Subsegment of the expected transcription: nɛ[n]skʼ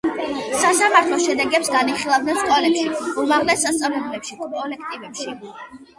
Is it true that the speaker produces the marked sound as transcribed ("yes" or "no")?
yes